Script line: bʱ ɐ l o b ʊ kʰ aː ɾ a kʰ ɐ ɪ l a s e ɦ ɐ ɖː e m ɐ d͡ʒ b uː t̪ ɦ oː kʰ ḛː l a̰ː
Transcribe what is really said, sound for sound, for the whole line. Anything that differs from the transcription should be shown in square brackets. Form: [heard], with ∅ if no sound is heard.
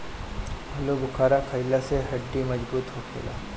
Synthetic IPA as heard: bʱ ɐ l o b ʊ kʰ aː ɾ a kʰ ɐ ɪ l a s e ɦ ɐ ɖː [i] m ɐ d͡ʒ b uː t̪ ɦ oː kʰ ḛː l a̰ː